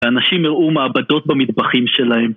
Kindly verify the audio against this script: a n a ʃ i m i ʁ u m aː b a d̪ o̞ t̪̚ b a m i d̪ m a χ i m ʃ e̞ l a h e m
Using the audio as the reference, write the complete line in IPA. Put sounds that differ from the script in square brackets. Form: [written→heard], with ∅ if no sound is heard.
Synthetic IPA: a n a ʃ i m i ʁ u m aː b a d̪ o̞ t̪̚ b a m i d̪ [m→b] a χ i m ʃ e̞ l a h e m